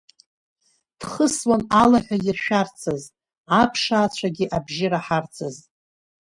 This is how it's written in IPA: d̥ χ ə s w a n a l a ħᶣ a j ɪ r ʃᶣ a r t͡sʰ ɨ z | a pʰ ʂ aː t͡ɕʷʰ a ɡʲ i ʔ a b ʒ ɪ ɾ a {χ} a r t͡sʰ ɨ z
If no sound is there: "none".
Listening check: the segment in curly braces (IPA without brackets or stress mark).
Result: ħ